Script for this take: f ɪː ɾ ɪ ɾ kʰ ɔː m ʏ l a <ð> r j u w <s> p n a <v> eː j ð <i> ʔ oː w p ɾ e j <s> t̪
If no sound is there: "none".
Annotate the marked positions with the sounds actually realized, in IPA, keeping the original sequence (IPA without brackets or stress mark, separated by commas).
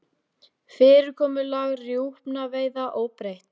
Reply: ɣ, h, v, a, h